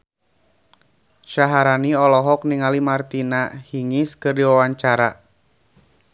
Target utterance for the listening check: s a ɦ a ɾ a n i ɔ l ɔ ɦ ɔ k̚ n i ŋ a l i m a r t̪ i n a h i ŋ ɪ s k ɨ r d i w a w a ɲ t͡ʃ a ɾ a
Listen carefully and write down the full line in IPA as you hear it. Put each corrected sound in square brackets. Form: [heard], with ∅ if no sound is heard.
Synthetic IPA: [ʃ] a ɦ a ɾ a n i ɔ l ɔ ɦ ɔ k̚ n i ŋ a l i m a r t̪ i n a h i ŋ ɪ s k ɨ r d i w a w a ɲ t͡ʃ a ɾ a